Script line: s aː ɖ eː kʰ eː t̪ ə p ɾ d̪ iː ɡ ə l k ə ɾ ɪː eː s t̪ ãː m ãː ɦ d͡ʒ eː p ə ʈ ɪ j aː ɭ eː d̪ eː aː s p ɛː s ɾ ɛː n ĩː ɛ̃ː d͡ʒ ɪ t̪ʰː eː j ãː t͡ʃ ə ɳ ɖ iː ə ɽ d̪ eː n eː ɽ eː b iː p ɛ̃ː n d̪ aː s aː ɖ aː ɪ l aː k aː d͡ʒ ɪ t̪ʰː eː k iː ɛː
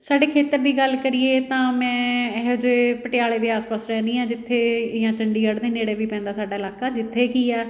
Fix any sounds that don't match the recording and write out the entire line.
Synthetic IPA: s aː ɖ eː kʰ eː t̪ ə ɾ d̪ iː ɡ ə l k ə ɾ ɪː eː t̪ ãː m ɛ̃ː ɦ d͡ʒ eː p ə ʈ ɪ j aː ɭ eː d̪ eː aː s p aː s ɾ ɛː n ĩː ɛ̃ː d͡ʒ ɪ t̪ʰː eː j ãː t͡ʃ ə ɳ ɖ iː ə ɽ d̪ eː n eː ɽ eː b iː p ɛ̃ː n d̪ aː s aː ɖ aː ɪ l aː k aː d͡ʒ ɪ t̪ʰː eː k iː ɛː